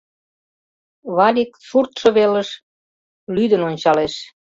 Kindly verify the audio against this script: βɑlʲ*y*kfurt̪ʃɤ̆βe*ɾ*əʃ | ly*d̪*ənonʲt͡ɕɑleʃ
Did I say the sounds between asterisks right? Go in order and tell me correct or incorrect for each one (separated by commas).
incorrect, incorrect, correct